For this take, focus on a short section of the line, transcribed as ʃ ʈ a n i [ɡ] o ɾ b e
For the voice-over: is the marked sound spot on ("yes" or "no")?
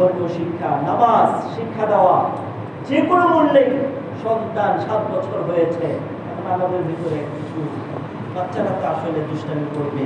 no